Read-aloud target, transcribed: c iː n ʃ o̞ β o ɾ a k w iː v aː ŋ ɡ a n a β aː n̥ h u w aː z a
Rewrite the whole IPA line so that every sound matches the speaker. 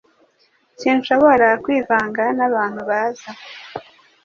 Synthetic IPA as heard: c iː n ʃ o̞ β o ɾ a k w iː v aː ŋ ɡ a n a β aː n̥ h u β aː z a